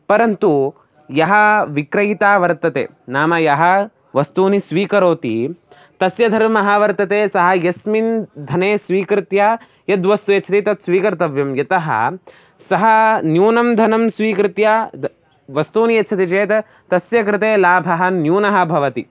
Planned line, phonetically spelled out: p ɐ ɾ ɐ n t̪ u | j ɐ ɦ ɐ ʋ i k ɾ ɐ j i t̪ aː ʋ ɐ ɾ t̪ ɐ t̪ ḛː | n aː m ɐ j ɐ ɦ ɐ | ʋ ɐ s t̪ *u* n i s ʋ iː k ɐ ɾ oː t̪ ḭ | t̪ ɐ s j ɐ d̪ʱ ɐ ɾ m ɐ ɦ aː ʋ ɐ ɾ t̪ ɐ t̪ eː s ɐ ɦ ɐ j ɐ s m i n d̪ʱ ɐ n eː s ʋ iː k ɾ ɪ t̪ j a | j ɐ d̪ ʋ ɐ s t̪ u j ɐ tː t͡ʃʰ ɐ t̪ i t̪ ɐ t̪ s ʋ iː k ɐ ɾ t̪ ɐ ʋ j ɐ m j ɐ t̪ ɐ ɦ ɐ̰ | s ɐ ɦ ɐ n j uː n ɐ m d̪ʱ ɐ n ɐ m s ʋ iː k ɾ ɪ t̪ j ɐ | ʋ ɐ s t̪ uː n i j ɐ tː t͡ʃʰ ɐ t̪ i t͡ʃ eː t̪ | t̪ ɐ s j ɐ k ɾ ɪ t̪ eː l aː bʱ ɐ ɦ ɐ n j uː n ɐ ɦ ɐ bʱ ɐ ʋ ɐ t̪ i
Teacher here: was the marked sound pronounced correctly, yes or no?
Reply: no